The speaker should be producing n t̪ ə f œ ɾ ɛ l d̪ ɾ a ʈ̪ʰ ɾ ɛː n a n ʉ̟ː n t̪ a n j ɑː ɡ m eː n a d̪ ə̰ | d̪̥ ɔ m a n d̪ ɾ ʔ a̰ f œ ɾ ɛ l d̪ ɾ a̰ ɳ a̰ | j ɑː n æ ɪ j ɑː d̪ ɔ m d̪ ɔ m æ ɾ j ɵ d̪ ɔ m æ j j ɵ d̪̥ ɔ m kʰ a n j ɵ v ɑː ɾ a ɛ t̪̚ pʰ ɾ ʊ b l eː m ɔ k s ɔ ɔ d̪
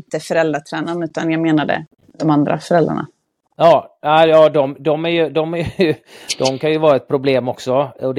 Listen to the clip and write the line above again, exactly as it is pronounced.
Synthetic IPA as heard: n t̪ ə f œ ɾ ɛ l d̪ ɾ a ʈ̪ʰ ɾ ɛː n a n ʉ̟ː t̪ a n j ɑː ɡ m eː n a d̪ ə̰ | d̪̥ ɔ m a n d̪ ɾ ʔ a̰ f œ ɾ ɛ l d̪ ɾ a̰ ɳ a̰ | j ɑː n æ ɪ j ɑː d̪ ɔ m d̪ ɔ m æ ɾ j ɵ d̪ ɔ m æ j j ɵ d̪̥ ɔ m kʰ a n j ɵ v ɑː ɾ a ɛ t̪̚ pʰ ɾ ʊ b l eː m ɔ k s ɔ ɔ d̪